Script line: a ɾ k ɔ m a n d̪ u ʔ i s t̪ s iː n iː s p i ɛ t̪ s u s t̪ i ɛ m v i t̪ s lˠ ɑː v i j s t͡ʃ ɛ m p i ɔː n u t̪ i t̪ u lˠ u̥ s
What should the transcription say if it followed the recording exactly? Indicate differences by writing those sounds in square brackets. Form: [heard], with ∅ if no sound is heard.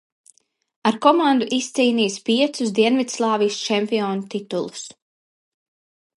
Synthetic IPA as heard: a ɾ k ɔ m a n d̪ u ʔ i s t̪ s iː n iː s p i ɛ t̪ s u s [d̪] i ɛ [n] v i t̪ s lˠ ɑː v i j s t͡ʃ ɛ m p i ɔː n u t̪ i t̪ u lˠ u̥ s